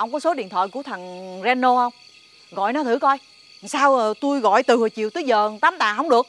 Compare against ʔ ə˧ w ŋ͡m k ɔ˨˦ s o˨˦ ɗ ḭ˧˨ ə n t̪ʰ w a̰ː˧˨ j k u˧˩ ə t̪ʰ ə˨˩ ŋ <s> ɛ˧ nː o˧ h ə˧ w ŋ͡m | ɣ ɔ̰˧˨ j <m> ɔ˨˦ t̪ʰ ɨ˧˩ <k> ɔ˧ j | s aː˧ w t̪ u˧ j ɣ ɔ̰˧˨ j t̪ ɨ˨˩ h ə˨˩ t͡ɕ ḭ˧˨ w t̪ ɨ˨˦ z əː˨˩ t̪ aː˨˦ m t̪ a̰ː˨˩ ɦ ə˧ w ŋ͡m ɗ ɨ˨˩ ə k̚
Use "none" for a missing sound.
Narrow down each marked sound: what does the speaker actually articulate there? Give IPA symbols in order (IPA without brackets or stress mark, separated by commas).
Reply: z, n, k